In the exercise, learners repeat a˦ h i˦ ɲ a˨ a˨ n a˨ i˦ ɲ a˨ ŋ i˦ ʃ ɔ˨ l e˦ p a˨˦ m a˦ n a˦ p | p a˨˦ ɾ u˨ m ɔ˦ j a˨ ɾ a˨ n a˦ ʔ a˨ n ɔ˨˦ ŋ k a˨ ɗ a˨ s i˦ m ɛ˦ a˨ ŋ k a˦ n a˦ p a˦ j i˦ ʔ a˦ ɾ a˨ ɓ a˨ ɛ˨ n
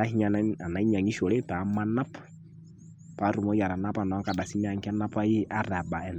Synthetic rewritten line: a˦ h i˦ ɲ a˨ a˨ n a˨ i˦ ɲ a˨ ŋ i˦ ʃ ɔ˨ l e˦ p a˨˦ m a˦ n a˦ p | p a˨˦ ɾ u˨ m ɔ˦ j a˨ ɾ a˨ n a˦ p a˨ n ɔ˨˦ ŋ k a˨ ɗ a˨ s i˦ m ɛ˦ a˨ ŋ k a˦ n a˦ p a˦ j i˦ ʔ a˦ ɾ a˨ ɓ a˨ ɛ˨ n